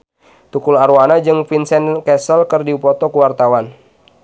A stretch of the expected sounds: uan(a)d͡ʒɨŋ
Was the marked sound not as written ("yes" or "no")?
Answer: no